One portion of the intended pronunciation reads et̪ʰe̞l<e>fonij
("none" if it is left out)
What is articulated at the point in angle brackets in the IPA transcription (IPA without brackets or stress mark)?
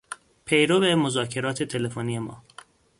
e